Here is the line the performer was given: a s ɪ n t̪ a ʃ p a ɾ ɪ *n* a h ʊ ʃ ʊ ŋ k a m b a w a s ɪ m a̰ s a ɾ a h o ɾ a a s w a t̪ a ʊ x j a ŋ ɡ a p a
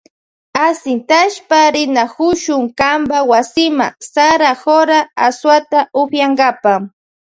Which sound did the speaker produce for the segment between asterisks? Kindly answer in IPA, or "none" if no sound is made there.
n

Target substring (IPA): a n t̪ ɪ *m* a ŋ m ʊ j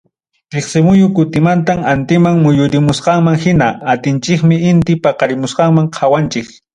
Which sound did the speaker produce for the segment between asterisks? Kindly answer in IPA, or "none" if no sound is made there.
m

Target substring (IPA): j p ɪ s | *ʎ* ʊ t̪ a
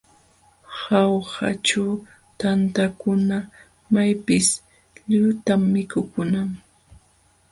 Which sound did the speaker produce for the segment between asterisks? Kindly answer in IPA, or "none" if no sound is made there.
ʎ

